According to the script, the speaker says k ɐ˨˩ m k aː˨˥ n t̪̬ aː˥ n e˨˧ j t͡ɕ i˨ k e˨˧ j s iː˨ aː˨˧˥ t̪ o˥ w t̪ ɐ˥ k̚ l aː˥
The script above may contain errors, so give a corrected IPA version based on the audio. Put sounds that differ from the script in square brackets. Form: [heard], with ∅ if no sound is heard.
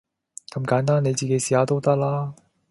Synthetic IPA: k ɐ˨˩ m k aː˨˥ n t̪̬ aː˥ n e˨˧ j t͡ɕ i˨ k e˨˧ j s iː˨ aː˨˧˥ t̪ o˥ w t̪ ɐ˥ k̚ l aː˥